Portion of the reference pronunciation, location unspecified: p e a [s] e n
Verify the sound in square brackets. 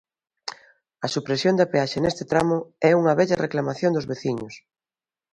incorrect: ʃ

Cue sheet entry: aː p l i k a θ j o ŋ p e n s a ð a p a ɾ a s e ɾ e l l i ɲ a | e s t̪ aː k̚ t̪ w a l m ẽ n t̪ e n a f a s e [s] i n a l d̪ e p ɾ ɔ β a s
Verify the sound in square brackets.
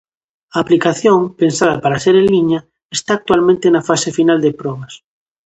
incorrect: f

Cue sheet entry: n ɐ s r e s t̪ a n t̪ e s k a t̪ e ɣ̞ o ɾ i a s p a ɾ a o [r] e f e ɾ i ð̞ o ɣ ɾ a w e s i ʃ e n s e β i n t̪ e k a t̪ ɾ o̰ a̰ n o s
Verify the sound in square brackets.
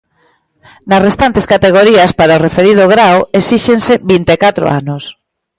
correct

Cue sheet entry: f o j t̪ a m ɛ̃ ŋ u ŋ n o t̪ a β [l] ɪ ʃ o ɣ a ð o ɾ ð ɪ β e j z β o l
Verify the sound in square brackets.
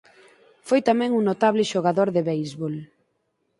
correct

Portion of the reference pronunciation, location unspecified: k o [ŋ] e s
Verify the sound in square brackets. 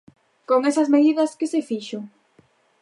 correct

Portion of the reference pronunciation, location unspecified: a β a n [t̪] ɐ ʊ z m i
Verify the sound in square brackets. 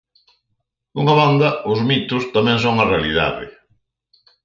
incorrect: d̪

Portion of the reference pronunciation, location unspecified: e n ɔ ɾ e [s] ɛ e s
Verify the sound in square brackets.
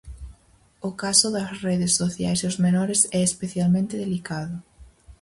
correct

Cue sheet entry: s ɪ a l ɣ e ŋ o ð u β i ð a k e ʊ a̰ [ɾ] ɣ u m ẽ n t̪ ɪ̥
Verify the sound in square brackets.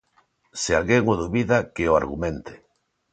correct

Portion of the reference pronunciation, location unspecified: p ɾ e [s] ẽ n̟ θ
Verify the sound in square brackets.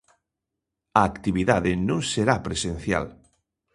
correct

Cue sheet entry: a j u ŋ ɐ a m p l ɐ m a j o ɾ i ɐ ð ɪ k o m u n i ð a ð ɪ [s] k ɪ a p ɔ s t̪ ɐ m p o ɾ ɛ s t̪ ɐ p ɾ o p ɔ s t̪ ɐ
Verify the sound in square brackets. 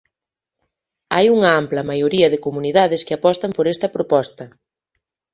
correct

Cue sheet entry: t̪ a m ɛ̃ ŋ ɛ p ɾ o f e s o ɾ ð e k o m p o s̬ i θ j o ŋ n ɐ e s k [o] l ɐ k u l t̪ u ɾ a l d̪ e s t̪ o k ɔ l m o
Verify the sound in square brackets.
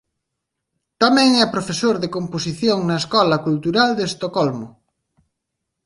incorrect: ɔ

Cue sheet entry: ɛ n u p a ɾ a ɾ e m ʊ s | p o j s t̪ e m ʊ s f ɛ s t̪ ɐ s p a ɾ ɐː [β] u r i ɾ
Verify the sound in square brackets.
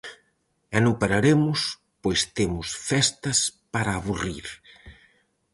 correct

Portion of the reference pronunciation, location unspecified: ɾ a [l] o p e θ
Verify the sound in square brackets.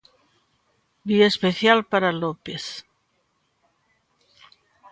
correct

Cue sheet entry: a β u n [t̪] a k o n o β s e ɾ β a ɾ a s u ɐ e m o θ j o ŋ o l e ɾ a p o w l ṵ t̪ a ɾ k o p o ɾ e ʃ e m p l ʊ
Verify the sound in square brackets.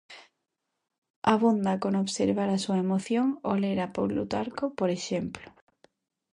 incorrect: d̪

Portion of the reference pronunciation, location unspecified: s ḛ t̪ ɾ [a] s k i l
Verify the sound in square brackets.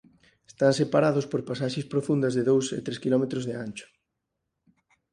incorrect: e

